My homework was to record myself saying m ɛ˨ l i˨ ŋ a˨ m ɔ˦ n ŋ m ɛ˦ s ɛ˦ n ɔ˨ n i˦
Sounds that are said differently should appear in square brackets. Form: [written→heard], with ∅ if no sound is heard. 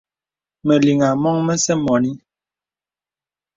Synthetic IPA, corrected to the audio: m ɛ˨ l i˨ ŋ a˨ m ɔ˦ [n→∅] ŋ m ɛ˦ s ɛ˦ [n→m] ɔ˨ n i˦